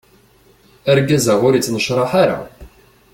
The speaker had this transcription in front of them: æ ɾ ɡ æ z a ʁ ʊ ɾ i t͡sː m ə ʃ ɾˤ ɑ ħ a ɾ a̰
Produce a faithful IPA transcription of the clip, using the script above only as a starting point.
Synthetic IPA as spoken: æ ɾ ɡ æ z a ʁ ʊ ɾ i t͡sː n ə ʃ ɾˤ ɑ ħ a ɾ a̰